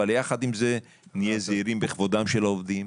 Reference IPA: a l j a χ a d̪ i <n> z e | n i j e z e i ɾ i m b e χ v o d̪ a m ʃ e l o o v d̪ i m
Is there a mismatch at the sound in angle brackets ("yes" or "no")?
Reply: yes